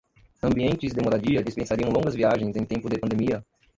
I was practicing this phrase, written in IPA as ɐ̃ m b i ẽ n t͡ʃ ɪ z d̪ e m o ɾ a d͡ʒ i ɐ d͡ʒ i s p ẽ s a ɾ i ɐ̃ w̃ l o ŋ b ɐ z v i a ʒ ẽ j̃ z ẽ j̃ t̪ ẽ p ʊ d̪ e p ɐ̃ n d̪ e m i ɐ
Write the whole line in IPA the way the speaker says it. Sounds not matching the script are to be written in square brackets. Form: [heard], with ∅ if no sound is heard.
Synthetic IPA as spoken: ɐ̃ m b i ẽ n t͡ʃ ɪ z d̪ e m o ɾ a d͡ʒ i ɐ d͡ʒ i s p ẽ s a ɾ i ɐ̃ w̃ l [õ] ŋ [ɡ] ɐ z v i a ʒ ẽ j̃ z ẽ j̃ t̪ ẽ p ʊ d̪ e p ɐ̃ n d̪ e m i ɐ